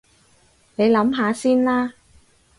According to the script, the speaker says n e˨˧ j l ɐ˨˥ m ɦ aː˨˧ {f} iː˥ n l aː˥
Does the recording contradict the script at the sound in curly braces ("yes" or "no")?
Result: yes